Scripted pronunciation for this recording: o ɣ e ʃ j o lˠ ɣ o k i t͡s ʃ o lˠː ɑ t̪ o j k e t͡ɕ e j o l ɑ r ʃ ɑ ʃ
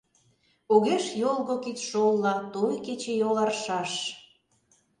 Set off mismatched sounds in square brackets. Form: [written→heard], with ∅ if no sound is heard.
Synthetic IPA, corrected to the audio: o ɣ e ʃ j o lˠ ɣ o k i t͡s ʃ o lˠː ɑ t̪ o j k e t͡ɕ e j o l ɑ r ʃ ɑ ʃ